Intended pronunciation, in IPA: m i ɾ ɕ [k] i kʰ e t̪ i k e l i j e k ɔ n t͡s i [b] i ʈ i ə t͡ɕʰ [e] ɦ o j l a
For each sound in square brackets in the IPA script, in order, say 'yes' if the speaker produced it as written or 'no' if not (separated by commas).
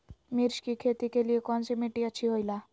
yes, no, no